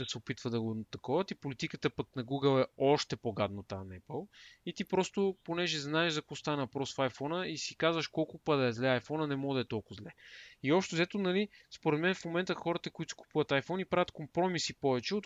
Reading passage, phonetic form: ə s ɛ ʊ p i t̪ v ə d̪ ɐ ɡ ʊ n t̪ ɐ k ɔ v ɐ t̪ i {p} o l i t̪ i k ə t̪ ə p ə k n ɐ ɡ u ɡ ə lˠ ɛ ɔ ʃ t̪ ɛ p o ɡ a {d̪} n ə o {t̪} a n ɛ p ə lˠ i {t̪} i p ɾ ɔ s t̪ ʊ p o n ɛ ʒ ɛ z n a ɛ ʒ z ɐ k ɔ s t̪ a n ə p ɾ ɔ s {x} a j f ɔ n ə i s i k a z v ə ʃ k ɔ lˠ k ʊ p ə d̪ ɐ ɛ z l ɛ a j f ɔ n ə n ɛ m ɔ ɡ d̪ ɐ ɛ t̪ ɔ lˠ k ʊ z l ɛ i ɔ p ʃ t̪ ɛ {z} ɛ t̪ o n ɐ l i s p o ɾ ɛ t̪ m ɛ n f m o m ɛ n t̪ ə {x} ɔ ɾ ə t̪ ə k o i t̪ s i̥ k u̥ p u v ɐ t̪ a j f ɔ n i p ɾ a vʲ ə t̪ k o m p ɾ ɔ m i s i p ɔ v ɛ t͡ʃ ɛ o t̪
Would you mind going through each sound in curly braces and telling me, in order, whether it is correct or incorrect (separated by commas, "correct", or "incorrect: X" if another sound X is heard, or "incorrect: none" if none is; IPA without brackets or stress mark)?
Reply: correct, correct, correct, correct, incorrect: f, correct, correct